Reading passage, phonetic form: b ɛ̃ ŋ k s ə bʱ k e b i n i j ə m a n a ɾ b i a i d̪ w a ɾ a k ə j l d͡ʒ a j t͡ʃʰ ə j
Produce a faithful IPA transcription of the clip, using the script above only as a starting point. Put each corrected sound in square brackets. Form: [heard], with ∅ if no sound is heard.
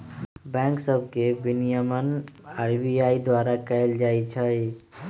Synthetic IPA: b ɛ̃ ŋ k s ə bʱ k e b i n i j ə m [ə] n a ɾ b i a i d̪ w a ɾ a k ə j l d͡ʒ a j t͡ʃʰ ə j